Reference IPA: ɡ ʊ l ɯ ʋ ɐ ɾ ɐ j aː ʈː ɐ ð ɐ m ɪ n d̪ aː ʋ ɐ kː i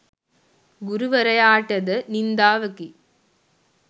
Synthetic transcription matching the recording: ɡ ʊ ɾ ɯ ʋ ɐ ɾ ɐ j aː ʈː ɐ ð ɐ n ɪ n d̪ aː ʋ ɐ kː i